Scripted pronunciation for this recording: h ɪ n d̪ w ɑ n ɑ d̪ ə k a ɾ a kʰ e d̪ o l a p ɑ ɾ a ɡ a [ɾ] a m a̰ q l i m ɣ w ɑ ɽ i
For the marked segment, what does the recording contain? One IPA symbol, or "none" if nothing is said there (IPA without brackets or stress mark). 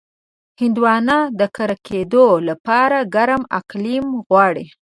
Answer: ɾ